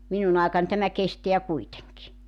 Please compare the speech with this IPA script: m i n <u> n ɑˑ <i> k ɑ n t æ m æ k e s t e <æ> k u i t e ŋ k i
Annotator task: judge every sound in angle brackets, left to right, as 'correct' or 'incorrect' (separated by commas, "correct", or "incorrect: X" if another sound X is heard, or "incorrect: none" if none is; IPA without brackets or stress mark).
correct, incorrect: e, correct